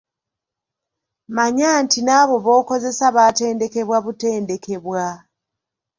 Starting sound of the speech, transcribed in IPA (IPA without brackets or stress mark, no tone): m